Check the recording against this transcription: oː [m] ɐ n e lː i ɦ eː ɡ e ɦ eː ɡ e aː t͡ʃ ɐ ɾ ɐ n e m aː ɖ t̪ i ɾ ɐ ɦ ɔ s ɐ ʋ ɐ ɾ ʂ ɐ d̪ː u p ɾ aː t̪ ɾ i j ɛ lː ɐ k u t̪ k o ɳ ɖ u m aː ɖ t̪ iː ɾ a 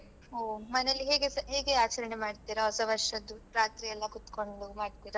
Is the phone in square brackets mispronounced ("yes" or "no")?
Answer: no